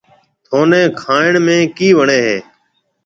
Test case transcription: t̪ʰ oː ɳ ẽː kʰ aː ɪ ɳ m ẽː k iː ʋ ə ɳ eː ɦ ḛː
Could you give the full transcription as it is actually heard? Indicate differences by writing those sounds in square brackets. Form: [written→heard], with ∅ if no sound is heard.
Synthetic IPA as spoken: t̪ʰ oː [ɳ→n] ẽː kʰ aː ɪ ɳ m ẽː k iː ʋ ə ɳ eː ɦ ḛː